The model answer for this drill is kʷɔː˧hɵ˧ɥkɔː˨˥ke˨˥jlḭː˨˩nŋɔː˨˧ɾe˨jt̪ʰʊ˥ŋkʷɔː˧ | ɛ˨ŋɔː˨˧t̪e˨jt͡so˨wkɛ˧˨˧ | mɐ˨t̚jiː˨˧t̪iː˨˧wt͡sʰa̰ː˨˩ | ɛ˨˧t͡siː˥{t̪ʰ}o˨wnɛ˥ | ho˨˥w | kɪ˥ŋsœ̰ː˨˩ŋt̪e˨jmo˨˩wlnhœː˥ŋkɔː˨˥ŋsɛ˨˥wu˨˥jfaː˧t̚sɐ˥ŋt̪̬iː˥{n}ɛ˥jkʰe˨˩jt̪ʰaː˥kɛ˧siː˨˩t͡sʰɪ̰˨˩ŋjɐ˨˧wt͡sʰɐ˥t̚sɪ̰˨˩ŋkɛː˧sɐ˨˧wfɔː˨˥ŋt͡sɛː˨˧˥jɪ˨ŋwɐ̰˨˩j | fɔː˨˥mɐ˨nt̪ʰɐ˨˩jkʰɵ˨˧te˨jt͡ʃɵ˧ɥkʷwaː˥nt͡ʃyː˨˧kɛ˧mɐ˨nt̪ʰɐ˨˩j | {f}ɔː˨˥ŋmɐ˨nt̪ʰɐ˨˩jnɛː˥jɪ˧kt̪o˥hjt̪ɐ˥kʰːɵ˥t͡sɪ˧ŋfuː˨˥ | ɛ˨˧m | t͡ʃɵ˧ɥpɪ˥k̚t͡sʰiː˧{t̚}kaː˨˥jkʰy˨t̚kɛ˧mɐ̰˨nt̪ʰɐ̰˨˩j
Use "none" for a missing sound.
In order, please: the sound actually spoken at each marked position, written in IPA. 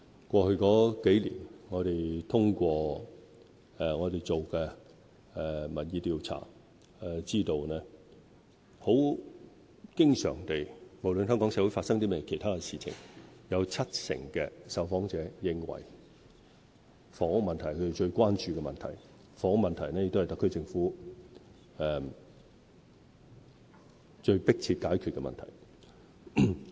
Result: t̪, m, f, t̚

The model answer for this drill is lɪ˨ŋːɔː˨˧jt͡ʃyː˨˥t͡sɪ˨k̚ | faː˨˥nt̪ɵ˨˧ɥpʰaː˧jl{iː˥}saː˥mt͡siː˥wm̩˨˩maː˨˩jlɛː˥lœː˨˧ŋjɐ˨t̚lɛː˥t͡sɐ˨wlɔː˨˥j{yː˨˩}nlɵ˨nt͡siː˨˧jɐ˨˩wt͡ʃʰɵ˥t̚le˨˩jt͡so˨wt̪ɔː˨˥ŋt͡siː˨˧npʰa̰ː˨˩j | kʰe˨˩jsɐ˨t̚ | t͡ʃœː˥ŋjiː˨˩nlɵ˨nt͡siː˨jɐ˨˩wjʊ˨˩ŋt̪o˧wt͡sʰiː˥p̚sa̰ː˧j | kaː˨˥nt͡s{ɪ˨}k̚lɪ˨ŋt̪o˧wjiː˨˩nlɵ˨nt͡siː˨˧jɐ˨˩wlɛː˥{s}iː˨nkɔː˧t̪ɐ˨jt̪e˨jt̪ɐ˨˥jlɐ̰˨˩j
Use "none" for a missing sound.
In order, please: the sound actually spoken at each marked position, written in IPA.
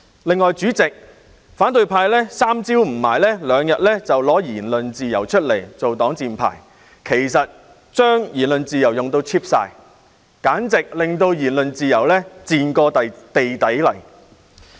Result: ɛː˥, iː˨˩, ɪ˨, t͡s

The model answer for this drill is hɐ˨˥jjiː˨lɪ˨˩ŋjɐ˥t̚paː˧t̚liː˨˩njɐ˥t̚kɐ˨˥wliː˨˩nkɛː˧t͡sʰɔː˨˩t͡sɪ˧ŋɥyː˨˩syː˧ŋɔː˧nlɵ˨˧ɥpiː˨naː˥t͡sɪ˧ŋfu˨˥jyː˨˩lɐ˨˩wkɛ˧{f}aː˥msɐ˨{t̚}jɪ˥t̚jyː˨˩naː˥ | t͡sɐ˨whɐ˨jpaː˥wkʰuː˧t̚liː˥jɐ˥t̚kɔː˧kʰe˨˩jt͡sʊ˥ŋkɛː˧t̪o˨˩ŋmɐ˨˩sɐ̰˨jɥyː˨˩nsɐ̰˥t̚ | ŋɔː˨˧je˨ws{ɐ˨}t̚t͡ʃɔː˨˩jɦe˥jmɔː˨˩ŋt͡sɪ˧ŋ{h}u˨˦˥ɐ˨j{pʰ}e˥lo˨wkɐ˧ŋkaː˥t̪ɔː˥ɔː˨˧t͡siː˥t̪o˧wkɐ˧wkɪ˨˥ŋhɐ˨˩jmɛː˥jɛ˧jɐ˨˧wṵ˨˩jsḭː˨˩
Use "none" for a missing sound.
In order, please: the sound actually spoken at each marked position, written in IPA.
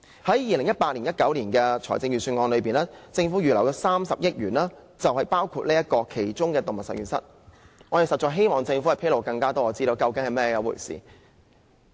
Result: s, p̚, ɐ˨, f, pʰ

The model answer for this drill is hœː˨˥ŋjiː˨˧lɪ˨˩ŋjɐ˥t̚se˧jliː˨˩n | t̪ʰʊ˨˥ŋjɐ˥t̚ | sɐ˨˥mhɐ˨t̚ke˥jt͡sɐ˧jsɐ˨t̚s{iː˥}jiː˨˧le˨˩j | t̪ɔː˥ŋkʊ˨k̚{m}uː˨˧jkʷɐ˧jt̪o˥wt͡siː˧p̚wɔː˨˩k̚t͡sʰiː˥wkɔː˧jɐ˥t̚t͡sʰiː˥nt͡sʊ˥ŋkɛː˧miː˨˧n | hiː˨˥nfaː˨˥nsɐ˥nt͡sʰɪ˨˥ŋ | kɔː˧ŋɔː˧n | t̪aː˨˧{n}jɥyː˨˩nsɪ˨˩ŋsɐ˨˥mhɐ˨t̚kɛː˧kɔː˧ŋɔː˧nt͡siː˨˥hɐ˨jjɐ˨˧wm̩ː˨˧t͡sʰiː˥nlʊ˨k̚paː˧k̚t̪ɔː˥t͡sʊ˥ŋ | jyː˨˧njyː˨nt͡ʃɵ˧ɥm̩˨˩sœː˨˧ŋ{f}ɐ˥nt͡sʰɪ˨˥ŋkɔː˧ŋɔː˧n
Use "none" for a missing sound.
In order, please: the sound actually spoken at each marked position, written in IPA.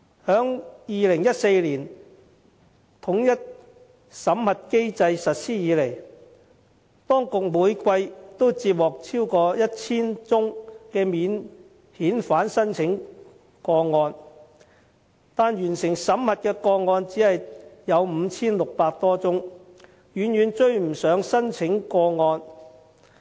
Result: iː˥, m, n, s

